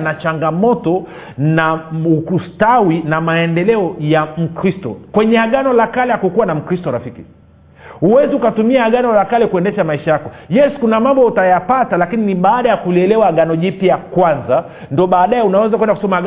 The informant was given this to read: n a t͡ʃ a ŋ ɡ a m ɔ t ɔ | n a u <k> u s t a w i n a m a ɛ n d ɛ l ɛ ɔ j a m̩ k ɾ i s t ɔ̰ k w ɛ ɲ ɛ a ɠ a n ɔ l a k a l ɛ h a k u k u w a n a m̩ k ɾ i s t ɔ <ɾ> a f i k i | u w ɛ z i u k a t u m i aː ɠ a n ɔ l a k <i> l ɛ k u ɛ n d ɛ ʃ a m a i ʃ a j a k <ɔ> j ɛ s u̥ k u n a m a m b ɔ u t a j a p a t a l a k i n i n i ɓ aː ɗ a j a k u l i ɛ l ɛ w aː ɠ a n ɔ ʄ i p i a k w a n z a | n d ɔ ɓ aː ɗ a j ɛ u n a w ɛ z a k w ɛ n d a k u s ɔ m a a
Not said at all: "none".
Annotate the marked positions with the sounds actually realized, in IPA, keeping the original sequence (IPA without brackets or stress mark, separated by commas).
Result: k, ɾ, a, ɔ